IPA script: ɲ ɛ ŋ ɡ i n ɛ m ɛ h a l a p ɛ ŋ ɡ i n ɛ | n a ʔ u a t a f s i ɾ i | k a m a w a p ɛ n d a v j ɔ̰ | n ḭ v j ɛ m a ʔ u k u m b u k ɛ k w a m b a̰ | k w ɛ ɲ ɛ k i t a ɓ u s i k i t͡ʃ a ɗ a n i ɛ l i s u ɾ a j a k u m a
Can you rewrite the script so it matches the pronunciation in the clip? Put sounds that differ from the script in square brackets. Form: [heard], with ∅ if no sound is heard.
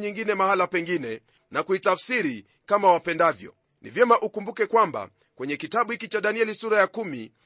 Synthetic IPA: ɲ [i] ŋ ɡ i n ɛ m [a] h a l a p ɛ ŋ ɡ i n ɛ | n a [k] u [i] t a f s i ɾ i | k a m a w a p ɛ n d a v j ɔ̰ | n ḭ v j ɛ m a ʔ u k u m b u k ɛ k w a m b a̰ | k w ɛ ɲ ɛ k i t a ɓ u [h] i k i t͡ʃ a ɗ a n i ɛ l i s u ɾ a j a k u m [i]